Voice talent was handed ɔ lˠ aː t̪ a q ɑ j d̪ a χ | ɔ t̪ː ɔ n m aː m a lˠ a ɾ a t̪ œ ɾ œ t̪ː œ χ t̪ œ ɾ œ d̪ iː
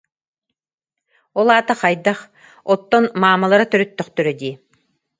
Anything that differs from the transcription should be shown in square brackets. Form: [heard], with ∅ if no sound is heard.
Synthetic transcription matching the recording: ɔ lˠ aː t̪ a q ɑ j d̪ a χ | ɔ t̪ː ɔ n m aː m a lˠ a ɾ a t̪ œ ɾ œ t̪ː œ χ t̪ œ ɾ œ d̪ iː